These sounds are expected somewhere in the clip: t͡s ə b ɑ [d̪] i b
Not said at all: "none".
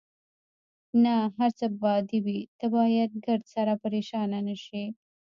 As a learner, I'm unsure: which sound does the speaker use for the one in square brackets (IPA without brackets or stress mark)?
d̪